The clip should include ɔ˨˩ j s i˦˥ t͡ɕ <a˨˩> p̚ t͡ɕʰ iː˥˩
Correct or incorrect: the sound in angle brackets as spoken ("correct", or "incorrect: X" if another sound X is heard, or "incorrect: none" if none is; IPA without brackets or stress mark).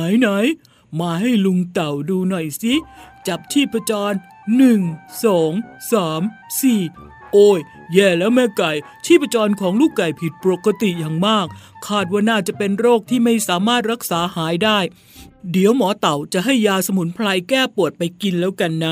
correct